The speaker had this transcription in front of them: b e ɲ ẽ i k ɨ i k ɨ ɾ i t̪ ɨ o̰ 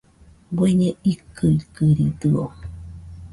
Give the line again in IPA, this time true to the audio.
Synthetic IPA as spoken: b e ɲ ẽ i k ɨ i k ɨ ɾ i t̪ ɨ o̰